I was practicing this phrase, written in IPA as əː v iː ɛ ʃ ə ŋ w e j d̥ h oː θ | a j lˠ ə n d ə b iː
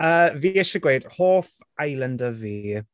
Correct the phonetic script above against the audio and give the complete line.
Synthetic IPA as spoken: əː v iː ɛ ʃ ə ɡ w e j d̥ h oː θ | a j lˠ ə n d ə v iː